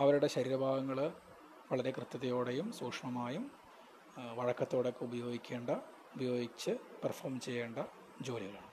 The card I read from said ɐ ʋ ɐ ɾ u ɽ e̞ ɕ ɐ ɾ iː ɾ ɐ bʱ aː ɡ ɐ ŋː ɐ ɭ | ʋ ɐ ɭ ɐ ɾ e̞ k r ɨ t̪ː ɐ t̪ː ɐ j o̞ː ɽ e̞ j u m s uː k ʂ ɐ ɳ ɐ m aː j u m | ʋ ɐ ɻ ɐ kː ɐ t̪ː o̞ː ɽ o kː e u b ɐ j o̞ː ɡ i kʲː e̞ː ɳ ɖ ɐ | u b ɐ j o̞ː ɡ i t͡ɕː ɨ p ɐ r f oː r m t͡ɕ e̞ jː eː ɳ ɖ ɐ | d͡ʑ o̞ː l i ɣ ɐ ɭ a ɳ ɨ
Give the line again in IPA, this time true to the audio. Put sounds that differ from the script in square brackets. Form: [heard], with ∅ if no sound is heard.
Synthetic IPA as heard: ɐ ʋ ɐ ɾ u ɽ e̞ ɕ ɐ ɾ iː ɾ ɐ bʱ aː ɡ ɐ ŋː ɐ ɭ | ʋ ɐ ɭ ɐ ɾ e̞ k r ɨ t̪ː ɐ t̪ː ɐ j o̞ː ɽ e̞ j u m s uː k ʂ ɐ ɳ ɐ m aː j u m | ʋ ɐ ɻ ɐ kː ɐ t̪ː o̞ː ɽ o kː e u b ɐ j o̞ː ɡ i kʲː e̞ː ɳ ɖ ɐ | u b ɐ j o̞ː ɡ i t͡ɕː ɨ p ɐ r f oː r m t͡ɕ e̞ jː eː ɳ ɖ ɐ | d͡ʑ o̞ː l i ɣ ɐ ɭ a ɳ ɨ